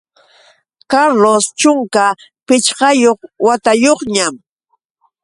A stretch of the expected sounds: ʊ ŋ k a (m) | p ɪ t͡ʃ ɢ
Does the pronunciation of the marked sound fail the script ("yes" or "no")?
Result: yes